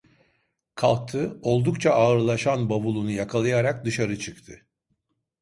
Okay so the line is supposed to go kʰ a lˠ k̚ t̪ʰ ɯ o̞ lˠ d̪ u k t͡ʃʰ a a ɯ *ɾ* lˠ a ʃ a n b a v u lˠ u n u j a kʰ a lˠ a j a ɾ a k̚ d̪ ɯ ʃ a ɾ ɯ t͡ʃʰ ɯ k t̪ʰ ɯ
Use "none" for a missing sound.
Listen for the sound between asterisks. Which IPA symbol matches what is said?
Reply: ɾ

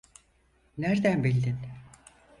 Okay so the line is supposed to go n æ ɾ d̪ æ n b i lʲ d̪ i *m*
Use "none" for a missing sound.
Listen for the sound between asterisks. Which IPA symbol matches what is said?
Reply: n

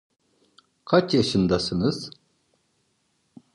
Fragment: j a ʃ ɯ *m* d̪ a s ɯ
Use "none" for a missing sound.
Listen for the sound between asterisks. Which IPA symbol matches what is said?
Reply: n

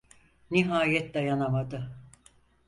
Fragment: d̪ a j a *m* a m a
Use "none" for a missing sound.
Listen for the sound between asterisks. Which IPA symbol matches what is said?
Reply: n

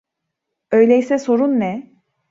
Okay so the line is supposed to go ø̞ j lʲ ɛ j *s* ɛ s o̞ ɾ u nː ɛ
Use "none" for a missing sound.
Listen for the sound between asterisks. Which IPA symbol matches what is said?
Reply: s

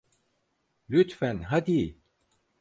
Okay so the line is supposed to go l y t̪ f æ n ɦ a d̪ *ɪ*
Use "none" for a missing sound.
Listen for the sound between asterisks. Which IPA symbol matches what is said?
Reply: i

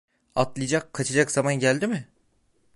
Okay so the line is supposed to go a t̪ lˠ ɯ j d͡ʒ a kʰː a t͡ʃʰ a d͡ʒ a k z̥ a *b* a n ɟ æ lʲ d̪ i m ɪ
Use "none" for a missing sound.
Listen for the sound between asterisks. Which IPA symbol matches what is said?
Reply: m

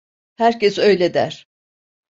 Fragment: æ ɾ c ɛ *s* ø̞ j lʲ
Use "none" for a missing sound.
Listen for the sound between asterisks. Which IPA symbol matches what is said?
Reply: s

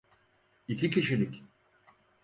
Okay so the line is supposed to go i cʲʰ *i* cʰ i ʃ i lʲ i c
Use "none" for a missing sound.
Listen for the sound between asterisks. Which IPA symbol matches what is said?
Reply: i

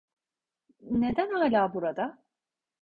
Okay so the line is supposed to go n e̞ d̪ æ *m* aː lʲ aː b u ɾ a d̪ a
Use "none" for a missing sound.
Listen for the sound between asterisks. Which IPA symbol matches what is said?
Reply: n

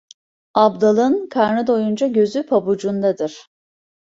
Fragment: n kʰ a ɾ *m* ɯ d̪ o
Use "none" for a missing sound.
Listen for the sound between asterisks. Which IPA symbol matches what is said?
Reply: n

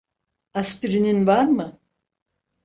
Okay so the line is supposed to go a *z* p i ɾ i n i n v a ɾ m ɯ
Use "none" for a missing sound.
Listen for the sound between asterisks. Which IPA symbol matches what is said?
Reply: s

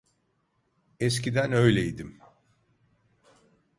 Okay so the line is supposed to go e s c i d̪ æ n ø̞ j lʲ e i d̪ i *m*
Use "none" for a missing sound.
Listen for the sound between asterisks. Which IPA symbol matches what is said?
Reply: m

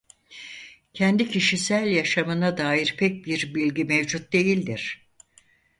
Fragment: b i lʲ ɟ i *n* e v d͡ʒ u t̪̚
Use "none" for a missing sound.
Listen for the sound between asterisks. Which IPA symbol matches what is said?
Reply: m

